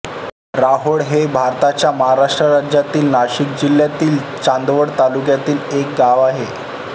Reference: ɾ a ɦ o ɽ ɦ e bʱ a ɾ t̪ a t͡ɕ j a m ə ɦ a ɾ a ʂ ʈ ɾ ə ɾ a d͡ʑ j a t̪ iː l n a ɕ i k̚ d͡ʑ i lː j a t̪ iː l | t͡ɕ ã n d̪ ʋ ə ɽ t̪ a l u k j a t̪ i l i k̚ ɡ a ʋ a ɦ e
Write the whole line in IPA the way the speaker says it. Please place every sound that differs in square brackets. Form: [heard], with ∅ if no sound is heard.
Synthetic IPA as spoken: ɾ a ɦ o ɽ ɦ e bʱ a ɾ t̪ a t͡ɕ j a m ə ɦ a ɾ a ʂ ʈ ɾ ə ɾ a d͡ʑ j a t̪ iː l n a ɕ i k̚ d͡ʑ i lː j a t̪ iː l | t͡ɕ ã n d̪ ʋ ə ɽ t̪ a l u k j a t̪ [iː] l [e] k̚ ɡ a ʋ a ɦ e

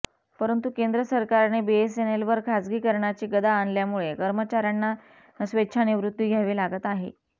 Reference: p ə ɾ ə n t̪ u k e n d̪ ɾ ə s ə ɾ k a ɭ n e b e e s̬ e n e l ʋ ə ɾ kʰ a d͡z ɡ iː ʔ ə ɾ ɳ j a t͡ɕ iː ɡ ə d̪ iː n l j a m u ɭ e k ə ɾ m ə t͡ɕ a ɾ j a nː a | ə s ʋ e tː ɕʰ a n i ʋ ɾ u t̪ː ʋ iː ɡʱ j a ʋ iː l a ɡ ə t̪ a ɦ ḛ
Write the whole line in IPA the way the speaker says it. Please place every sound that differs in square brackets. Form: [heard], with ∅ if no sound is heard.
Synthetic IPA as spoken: p ə ɾ ə n t̪ u k e n d̪ ɾ ə s ə ɾ k a [ɾ] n e b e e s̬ e n e l ʋ ə ɾ kʰ a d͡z ɡ iː [k] ə ɾ ɳ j a t͡ɕ iː ɡ ə d̪ [aː] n l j a m u ɭ e k ə ɾ m ə t͡ɕ a ɾ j a nː a | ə s ʋ e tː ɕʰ a n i ʋ ɾ u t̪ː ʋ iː ɡʱ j a ʋ iː l a ɡ ə t̪ a ɦ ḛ

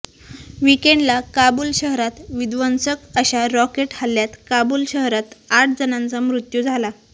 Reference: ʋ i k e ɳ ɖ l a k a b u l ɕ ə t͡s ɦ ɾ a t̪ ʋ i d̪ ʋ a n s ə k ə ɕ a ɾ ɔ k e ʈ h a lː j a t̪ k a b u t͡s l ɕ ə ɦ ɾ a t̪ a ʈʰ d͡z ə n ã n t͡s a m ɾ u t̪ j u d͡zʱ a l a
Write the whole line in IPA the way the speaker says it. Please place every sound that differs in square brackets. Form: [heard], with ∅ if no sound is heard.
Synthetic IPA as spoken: ʋ i k e ɳ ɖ l a k a b u l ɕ ə [∅] ɦ ɾ a t̪ ʋ i d̪ ʋ [ə] n s ə k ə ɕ a ɾ ɔ k e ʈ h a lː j a t̪ k a b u [∅] l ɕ ə ɦ ɾ a t̪ a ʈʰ d͡z ə n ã n t͡s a m ɾ u t̪ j u d͡zʱ a l a

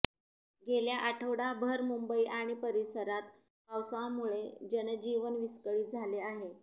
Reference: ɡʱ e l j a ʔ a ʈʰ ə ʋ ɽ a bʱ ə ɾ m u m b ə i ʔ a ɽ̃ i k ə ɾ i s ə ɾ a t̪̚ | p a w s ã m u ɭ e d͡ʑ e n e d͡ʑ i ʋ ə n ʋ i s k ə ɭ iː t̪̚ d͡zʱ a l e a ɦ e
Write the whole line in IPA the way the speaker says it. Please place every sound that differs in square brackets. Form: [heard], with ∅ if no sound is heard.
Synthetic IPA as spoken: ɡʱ e l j a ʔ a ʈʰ ə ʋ ɽ a bʱ ə ɾ m u m b ə i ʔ a ɽ̃ i [p] ə ɾ i s ə ɾ a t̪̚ | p a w s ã m u ɭ e d͡ʑ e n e d͡ʑ i ʋ ə n ʋ i s k ə ɭ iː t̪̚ d͡zʱ a l e a ɦ e

